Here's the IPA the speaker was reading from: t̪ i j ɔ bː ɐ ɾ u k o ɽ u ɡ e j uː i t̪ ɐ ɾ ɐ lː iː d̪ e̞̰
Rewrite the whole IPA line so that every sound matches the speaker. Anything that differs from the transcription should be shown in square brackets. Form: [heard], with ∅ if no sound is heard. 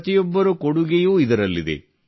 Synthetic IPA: t̪ i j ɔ bː ɐ ɾ u k o ɽ u ɡ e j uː i [d̪] ɐ ɾ ɐ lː [i] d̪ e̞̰